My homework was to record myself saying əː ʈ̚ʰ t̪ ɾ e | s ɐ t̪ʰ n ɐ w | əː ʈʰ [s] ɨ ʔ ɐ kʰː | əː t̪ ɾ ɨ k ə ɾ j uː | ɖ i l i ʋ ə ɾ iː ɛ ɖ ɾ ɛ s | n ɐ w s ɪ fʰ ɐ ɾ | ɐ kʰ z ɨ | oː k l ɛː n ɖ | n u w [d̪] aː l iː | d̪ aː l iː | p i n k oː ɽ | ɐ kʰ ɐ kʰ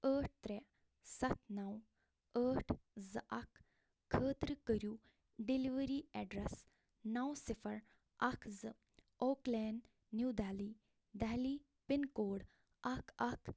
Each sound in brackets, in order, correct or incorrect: incorrect: z, correct

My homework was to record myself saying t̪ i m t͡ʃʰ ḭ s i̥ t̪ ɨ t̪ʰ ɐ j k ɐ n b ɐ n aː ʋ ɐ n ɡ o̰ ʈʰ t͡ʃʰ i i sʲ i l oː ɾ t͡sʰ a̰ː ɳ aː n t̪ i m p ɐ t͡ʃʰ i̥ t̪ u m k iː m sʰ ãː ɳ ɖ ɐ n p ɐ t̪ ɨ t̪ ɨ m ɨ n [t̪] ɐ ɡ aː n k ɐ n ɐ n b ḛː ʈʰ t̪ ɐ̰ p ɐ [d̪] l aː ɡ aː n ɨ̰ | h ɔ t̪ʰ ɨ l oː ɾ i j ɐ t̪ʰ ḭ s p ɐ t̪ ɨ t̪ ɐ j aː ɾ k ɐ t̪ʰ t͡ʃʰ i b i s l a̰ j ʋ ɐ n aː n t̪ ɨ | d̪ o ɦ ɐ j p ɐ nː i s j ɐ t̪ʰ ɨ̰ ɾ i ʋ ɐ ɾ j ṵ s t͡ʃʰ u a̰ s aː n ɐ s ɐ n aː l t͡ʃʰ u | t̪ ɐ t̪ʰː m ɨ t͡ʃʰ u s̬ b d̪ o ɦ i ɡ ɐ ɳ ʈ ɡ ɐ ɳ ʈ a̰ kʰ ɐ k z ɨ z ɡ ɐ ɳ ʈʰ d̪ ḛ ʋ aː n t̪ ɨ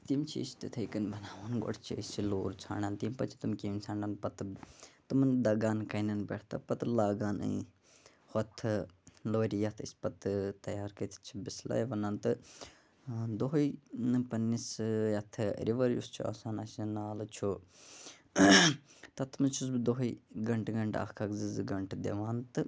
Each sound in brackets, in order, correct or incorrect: incorrect: d̪, incorrect: t̪

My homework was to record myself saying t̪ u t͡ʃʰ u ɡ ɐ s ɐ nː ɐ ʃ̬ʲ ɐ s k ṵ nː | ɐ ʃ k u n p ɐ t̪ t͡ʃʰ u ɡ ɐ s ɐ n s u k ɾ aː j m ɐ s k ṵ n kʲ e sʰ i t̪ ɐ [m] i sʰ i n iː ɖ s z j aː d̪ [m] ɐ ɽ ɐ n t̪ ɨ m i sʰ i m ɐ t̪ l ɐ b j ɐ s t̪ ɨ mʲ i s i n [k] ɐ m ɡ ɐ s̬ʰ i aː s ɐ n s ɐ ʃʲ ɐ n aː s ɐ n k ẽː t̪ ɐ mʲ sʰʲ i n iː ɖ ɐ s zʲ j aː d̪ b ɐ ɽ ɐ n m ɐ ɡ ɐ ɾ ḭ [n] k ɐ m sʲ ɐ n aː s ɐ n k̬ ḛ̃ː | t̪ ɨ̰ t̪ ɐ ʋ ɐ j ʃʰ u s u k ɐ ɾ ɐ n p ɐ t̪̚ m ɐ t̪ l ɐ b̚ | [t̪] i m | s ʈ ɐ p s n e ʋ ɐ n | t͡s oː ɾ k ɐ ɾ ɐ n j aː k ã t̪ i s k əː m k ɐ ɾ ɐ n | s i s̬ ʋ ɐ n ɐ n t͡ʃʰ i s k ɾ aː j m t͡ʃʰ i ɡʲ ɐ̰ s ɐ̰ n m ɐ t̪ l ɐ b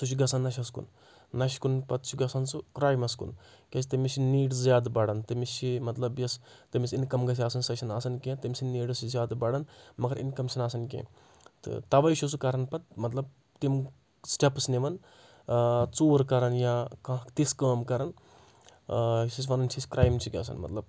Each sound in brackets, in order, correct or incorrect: correct, incorrect: b, correct, correct, correct

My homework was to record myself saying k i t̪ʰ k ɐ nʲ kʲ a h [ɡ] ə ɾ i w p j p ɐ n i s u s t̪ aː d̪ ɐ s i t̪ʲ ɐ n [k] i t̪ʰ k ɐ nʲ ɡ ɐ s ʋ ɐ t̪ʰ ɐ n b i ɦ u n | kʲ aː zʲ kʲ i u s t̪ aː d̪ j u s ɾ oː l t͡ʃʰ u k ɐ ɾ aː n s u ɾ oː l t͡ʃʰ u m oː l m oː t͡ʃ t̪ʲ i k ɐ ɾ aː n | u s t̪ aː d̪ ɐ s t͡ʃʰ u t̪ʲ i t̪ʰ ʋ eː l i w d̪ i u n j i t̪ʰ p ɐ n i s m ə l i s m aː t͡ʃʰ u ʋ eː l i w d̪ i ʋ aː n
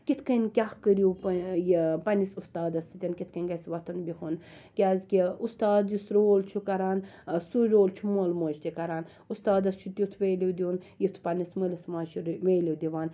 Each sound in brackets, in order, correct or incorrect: incorrect: k, correct

